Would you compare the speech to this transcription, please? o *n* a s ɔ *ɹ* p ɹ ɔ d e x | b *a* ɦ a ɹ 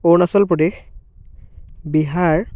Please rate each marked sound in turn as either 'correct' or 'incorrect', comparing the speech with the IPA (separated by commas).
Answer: correct, incorrect, incorrect